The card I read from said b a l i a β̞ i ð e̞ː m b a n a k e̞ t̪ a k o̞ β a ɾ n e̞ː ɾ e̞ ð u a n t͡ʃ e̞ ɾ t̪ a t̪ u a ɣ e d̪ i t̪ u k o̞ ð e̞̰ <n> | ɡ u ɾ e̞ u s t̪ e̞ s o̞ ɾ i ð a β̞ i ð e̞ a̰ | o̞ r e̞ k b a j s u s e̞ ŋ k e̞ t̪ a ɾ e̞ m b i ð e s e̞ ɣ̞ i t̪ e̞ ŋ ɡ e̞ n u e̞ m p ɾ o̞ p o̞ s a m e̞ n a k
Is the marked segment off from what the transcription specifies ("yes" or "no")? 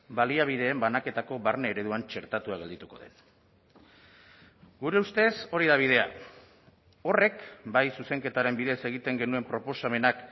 no